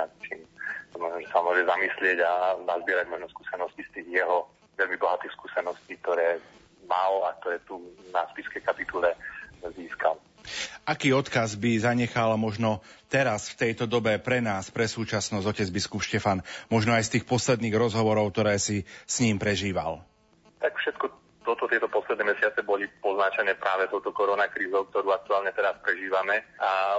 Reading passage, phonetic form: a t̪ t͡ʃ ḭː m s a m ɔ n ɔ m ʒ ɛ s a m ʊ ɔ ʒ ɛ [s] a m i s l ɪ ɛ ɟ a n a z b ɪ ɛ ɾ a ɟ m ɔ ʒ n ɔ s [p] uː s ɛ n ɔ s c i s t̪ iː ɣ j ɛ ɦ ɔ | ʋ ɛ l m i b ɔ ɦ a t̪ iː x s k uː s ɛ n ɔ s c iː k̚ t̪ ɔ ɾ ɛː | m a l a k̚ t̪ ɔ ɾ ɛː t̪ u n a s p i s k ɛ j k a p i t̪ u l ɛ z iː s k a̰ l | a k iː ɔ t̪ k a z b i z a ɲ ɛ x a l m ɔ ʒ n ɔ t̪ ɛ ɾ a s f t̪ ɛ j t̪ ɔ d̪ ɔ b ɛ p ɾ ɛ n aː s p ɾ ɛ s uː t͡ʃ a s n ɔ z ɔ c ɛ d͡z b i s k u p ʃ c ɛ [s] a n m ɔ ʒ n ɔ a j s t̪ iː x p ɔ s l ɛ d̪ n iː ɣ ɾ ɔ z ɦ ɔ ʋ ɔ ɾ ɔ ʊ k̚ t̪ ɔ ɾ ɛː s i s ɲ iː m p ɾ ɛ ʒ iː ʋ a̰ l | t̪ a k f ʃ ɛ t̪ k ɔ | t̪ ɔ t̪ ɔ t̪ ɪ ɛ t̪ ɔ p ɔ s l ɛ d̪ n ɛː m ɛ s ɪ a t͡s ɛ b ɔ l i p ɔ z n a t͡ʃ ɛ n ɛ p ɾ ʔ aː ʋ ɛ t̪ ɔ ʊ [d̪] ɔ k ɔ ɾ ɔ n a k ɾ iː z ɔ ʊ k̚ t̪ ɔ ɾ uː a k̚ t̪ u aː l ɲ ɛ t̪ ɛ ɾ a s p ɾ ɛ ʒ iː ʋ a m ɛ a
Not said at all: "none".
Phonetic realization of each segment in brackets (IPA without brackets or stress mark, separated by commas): z, k, f, t̪